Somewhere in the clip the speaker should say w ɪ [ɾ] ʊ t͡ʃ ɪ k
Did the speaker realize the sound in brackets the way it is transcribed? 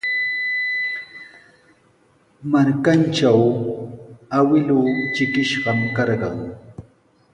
no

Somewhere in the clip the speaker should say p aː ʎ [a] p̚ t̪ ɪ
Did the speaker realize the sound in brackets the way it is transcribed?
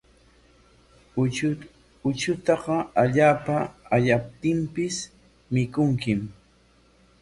yes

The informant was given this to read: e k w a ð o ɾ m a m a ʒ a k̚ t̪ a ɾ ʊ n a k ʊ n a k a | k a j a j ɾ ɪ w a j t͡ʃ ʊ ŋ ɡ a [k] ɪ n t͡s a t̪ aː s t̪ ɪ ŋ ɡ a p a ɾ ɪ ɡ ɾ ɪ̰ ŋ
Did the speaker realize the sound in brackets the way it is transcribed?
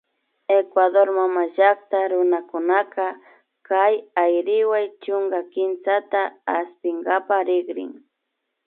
yes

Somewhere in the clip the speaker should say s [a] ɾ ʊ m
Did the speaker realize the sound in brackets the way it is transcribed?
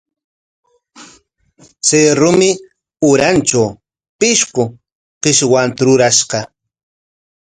no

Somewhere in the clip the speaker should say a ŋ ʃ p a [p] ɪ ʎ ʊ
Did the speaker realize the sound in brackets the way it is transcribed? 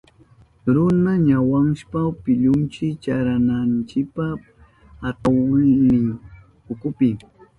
yes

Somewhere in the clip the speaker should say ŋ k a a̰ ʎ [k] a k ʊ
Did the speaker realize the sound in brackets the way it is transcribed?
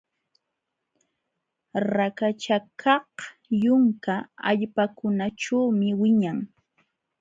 no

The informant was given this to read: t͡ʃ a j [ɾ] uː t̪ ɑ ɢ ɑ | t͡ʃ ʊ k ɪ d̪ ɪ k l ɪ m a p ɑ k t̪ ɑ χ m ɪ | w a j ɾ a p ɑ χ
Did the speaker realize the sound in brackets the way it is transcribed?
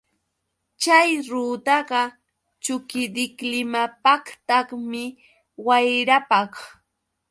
yes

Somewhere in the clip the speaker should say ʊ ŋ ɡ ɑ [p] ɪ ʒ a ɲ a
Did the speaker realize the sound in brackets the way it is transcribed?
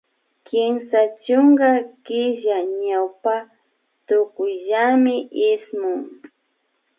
no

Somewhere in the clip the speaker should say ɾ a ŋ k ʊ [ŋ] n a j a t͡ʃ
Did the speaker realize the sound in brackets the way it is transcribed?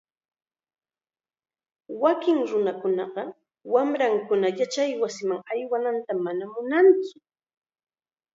no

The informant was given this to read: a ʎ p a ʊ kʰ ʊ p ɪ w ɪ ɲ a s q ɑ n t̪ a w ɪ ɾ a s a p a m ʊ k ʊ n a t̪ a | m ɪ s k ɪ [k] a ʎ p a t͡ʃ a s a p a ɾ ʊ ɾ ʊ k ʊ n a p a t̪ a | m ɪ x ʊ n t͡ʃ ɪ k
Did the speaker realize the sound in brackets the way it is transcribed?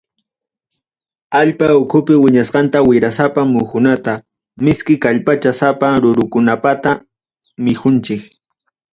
yes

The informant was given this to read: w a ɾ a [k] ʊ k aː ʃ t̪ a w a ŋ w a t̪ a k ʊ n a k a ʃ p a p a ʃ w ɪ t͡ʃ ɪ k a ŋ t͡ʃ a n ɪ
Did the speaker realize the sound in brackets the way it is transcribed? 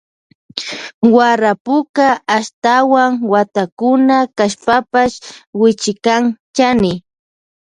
no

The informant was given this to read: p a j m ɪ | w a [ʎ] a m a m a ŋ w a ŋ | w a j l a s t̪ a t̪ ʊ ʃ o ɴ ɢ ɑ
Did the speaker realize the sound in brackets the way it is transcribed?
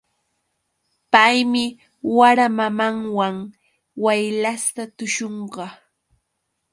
no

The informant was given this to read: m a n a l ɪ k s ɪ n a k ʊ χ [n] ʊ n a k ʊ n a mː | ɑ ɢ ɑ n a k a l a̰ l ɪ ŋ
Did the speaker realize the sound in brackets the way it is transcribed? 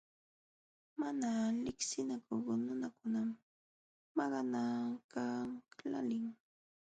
yes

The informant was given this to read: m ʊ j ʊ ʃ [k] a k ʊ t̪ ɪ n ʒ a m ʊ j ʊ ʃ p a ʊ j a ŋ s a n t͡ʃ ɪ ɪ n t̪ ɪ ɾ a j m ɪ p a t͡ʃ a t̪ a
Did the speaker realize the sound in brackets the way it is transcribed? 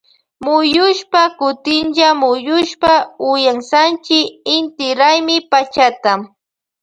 no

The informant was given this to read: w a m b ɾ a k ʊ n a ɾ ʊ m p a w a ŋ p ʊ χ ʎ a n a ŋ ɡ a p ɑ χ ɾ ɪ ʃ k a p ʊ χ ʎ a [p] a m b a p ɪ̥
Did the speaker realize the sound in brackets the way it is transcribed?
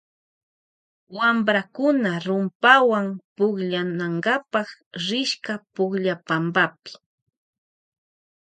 yes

